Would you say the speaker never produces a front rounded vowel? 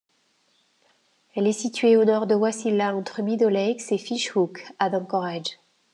yes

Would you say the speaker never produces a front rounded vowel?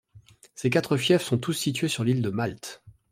no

